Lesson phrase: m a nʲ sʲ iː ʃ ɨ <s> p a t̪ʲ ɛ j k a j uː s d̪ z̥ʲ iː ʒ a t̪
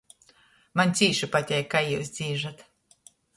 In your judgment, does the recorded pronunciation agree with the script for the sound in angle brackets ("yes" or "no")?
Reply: no